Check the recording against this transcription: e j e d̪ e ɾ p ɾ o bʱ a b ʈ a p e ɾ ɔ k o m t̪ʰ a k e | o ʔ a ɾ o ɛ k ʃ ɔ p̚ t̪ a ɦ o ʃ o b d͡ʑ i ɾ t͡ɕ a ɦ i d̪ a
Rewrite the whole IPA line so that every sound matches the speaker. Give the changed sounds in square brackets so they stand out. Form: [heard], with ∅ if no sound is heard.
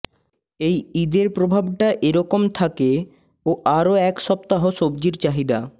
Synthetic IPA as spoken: e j [i] d̪ e ɾ p ɾ o bʱ a b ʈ a [ʔ] e ɾ ɔ k o m t̪ʰ a k e | o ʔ a ɾ o ɛ k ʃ ɔ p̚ t̪ a ɦ o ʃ o b d͡ʑ i ɾ t͡ɕ a ɦ i d̪ a